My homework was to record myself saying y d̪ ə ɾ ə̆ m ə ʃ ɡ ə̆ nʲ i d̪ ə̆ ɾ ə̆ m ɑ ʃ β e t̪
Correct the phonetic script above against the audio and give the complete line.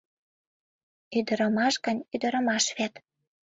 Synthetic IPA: y d̪ ə ɾ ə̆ m ɑ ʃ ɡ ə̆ nʲ y d̪ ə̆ ɾ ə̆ m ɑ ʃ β e t̪